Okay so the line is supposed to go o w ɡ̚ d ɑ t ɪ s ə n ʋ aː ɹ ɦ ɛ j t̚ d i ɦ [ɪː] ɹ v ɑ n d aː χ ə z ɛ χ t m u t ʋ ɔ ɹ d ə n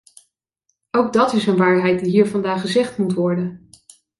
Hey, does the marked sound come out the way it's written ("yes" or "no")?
no